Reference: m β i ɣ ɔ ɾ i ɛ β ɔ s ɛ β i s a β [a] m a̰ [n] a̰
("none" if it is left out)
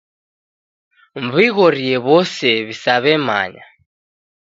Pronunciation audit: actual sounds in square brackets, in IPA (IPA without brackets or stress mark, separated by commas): ɛ, ɲ